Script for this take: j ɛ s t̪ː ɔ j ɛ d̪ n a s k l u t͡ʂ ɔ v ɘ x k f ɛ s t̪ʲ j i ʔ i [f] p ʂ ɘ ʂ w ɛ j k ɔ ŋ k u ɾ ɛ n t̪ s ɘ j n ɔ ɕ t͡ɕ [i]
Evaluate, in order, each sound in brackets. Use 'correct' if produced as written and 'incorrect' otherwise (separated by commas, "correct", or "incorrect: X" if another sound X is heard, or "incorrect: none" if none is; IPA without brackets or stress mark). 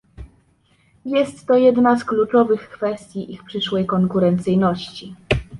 incorrect: x, correct